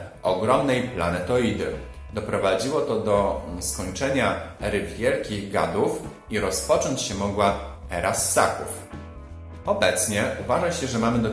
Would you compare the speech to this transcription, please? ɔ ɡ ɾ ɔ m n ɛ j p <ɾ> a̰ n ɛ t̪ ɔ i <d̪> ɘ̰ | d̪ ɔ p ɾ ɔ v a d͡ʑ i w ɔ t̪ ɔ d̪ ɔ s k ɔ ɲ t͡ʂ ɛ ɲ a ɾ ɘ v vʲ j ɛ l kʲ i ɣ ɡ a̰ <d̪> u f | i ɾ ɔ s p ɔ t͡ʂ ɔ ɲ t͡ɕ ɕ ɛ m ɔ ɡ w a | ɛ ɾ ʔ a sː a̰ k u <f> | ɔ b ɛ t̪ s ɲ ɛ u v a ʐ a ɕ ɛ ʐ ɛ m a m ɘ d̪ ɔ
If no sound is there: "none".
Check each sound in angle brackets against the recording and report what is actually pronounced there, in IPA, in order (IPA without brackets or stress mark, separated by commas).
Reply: l, d̪, d̪, f